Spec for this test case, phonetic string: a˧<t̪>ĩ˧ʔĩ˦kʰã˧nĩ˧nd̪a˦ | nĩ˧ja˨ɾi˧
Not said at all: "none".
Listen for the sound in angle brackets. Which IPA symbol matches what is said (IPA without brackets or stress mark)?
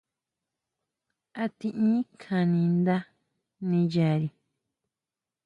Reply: t̪